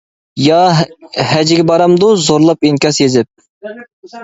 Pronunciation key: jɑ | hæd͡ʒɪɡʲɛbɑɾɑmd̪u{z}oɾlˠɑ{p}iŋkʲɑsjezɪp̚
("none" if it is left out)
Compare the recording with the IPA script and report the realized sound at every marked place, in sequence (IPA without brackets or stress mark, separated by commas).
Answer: z, p